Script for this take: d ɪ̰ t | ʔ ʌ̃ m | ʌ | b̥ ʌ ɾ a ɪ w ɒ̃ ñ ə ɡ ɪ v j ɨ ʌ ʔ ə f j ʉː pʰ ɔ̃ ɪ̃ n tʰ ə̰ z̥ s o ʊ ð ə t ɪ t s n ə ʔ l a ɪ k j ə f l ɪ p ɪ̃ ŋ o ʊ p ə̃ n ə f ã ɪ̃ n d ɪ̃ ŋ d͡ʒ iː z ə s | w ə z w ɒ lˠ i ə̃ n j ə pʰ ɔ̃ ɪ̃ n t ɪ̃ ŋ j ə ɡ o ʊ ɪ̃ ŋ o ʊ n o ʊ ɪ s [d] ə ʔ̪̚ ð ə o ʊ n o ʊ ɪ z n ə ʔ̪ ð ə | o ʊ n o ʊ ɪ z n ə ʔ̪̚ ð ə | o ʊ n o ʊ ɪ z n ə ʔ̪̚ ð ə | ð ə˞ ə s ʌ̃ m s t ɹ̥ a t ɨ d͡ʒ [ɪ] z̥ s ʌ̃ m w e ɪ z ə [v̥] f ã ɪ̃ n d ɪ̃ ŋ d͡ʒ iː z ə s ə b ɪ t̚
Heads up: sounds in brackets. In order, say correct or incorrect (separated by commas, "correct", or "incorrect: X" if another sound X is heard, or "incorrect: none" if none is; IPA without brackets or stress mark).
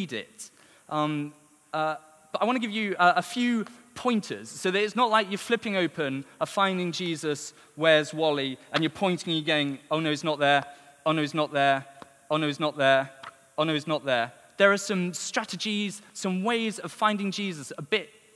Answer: incorrect: n, incorrect: i, correct